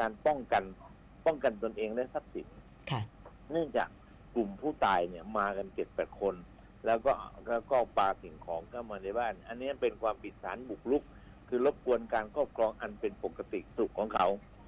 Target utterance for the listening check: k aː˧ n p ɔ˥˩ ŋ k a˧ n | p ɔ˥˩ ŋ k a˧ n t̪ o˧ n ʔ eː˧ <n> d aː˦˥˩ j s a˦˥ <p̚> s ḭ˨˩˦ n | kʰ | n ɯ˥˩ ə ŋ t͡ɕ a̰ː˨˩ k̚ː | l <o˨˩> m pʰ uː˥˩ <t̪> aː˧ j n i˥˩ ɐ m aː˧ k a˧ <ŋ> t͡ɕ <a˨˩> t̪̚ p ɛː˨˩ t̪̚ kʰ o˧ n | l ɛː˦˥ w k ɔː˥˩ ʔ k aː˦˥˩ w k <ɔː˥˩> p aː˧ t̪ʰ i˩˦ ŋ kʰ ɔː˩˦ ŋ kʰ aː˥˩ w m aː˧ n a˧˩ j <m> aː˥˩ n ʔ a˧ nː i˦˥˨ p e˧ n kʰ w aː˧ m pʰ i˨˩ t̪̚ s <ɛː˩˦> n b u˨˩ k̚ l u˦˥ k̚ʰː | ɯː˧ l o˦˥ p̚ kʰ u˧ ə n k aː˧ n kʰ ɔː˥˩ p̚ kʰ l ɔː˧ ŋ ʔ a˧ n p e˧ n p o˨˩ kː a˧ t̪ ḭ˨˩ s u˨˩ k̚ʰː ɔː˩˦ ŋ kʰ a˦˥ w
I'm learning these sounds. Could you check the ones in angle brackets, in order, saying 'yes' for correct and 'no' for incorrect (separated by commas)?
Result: no, yes, no, yes, no, no, yes, no, no